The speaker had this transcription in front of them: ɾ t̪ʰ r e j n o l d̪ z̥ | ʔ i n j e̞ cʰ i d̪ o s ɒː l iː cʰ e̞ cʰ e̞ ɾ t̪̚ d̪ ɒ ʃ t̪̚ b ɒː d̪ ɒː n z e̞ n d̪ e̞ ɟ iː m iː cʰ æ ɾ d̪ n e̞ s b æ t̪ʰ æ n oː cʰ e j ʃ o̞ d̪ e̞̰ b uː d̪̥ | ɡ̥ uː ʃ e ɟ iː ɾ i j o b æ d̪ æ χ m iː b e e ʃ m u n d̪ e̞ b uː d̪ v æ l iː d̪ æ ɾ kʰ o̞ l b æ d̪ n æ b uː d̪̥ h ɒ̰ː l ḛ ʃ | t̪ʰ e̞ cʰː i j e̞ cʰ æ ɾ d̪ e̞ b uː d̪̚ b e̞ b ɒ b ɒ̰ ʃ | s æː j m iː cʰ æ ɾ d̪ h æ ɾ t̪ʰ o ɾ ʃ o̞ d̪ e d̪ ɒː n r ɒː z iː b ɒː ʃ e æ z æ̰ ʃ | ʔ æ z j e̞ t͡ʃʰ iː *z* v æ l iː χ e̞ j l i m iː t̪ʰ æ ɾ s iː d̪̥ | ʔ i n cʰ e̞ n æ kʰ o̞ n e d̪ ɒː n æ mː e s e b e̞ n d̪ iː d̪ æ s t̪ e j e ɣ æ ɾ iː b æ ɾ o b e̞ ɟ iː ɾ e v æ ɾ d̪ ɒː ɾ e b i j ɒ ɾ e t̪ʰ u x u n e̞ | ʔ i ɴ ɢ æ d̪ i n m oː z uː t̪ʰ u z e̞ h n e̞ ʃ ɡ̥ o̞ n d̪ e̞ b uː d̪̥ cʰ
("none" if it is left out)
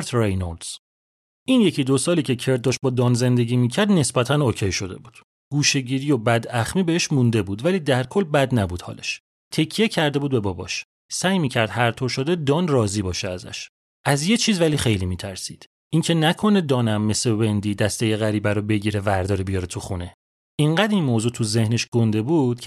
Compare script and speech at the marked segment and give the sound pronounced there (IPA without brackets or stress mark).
z